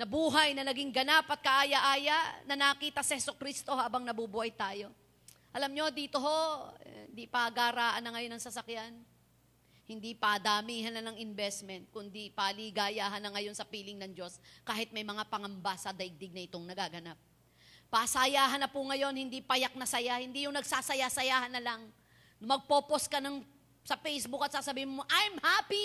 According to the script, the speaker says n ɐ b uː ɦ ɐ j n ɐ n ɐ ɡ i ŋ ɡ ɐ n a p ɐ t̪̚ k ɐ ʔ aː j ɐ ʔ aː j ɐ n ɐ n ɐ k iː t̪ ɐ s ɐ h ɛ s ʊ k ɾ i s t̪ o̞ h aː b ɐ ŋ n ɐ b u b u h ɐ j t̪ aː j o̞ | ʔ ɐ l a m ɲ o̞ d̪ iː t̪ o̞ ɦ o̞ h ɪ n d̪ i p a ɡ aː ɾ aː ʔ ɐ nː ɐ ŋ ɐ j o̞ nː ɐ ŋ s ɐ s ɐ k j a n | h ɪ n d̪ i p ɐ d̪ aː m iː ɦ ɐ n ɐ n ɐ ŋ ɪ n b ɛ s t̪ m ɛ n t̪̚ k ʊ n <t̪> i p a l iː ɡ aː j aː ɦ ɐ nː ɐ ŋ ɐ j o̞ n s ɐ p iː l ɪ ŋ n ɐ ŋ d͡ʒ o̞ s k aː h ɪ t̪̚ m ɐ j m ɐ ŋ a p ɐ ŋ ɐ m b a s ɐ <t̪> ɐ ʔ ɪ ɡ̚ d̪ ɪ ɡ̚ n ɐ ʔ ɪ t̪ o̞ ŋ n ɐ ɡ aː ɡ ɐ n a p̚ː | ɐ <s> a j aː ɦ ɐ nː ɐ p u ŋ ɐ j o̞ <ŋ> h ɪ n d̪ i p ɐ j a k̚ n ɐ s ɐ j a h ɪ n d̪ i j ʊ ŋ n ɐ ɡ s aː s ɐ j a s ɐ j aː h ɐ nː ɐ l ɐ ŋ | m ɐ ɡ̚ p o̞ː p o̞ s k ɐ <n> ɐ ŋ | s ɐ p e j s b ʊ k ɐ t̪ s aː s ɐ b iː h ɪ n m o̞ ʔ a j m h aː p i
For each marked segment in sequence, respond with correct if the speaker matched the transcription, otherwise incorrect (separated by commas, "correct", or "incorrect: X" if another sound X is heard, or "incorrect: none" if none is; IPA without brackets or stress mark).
incorrect: d̪, incorrect: d̪, correct, incorrect: n, correct